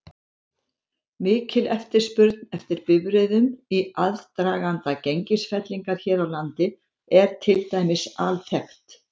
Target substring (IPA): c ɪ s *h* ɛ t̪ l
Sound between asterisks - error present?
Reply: yes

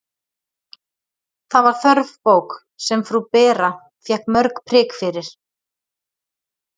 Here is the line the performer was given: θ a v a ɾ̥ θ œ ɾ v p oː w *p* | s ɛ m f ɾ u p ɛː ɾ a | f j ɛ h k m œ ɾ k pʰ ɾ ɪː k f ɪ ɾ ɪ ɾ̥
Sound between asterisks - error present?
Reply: yes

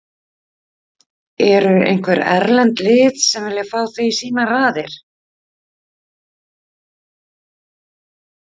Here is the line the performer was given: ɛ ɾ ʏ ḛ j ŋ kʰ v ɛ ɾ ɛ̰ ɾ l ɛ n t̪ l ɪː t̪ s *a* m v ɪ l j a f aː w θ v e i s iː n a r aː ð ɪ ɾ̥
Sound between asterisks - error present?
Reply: yes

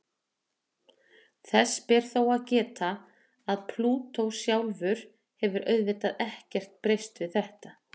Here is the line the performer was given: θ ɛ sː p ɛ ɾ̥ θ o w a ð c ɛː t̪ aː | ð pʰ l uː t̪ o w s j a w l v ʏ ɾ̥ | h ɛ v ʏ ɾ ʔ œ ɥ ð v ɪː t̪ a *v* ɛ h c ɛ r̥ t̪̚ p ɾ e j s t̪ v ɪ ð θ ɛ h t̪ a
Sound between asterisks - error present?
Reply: yes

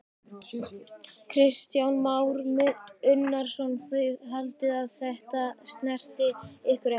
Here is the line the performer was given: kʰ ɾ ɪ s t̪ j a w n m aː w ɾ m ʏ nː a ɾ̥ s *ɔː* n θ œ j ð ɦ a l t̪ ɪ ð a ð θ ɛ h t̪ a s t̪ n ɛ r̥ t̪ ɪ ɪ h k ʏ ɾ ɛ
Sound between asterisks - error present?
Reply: yes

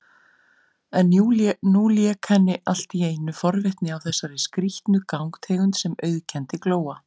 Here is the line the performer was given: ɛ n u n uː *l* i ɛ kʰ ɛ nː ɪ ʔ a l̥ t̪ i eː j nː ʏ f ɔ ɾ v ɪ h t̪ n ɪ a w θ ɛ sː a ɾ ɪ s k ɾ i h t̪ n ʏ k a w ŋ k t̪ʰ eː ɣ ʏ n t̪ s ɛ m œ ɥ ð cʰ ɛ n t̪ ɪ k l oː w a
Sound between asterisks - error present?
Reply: no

